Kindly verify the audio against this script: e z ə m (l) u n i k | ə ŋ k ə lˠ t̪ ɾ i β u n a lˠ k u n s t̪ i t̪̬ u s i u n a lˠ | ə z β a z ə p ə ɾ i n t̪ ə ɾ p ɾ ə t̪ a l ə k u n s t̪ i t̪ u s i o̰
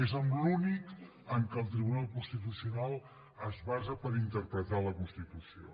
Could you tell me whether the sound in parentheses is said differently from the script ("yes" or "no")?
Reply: no